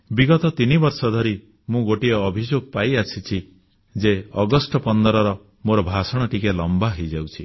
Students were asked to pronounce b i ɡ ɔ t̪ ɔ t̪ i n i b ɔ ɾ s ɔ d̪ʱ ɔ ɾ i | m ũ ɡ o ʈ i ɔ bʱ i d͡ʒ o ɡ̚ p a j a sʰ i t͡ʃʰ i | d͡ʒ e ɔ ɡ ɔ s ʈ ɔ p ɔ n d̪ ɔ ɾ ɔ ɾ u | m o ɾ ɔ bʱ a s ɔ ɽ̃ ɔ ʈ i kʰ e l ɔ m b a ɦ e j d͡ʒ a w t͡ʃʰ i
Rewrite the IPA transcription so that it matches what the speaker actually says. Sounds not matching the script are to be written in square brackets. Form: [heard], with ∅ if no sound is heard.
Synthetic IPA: b i ɡ ɔ t̪ ɔ t̪ i n i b ɔ ɾ s ɔ d̪ʱ ɔ ɾ i | m ũ ɡ o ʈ i [ɔː] bʱ i d͡ʒ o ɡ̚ p a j a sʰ i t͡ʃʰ i | d͡ʒ e ɔ ɡ ɔ s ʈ ɔ p ɔ n d̪ ɔ ɾ ɔ ɾ [ɔ] | m o ɾ ɔ bʱ a s ɔ ɽ̃ ɔ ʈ i [k] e l ɔ m b a ɦ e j d͡ʒ a w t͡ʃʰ i